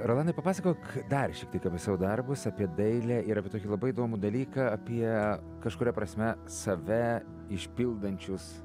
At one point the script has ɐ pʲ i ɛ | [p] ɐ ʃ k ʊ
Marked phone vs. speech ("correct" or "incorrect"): incorrect